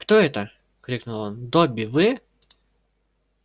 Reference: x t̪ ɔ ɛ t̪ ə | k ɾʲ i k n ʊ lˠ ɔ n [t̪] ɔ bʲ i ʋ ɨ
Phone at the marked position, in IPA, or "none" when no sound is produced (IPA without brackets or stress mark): d̪